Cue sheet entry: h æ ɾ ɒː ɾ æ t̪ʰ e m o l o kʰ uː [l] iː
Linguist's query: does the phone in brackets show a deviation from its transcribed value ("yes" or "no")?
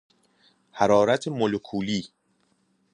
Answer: no